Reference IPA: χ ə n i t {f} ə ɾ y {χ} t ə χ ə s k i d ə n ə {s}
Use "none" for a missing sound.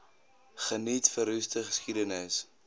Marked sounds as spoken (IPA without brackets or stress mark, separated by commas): f, s, s